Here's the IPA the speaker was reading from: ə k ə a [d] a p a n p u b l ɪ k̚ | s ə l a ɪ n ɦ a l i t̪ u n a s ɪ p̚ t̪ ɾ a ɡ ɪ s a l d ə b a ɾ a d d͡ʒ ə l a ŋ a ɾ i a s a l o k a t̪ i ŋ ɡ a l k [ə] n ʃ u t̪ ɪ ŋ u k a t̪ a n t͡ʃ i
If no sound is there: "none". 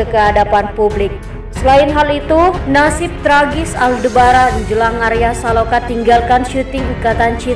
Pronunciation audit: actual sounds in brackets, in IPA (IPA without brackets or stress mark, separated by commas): d, a